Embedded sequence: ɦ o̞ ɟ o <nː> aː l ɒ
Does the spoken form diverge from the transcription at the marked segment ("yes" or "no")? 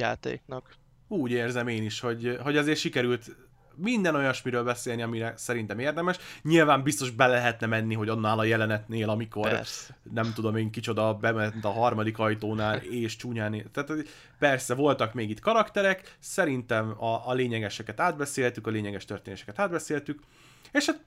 no